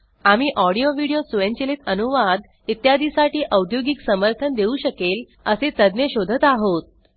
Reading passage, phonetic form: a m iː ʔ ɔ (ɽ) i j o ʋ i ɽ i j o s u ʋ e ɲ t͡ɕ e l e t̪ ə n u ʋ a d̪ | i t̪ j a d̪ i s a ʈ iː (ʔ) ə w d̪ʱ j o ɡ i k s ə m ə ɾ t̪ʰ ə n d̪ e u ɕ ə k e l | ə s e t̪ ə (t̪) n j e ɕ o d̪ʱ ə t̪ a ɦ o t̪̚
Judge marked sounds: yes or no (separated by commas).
yes, yes, no